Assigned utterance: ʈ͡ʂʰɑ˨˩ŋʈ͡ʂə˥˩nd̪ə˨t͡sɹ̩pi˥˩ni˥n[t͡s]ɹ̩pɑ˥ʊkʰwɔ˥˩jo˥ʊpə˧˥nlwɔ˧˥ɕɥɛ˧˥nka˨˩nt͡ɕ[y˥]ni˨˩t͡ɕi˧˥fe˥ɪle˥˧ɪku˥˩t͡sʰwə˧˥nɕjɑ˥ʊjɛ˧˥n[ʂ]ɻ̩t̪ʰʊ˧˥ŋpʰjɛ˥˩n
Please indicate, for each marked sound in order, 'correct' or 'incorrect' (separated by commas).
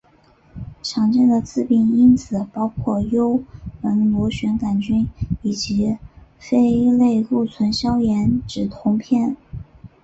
incorrect, correct, incorrect